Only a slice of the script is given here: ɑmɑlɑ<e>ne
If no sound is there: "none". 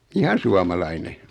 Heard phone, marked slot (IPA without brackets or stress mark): i